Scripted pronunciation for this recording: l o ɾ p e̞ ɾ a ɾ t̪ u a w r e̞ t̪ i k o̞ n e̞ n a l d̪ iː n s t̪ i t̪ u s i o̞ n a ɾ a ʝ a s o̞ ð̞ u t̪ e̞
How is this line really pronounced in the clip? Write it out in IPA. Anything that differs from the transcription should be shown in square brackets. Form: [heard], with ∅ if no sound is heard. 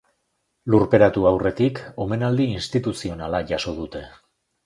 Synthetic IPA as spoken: l [u] ɾ p e̞ ɾ a [∅] t̪ u a w r e̞ t̪ i k o̞ [m] e̞ n a l d̪ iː n s t̪ i t̪ u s i o̞ n a [l] a ʝ a s o̞ ð̞ u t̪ e̞